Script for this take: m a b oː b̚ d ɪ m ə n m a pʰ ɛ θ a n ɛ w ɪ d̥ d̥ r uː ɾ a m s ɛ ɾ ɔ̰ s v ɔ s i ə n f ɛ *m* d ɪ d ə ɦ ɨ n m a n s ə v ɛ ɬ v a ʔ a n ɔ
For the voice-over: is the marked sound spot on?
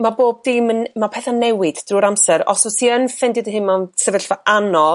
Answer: no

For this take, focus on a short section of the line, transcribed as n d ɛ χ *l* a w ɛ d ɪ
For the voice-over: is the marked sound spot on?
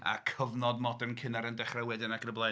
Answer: no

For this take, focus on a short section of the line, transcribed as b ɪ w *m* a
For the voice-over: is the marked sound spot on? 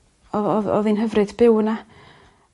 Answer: no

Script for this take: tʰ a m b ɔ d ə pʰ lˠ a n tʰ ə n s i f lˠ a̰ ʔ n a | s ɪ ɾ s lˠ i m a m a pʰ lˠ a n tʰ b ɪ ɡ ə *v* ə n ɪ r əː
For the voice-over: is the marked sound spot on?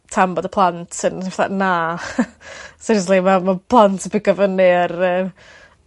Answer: yes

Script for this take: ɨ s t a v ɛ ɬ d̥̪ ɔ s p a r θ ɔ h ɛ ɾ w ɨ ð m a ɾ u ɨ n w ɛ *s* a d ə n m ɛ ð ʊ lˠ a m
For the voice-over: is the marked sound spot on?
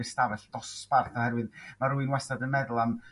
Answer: yes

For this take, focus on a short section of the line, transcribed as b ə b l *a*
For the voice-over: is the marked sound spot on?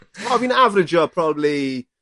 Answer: no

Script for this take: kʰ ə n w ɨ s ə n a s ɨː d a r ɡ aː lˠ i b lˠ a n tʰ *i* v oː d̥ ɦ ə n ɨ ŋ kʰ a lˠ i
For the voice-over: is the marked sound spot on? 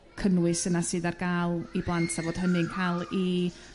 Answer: no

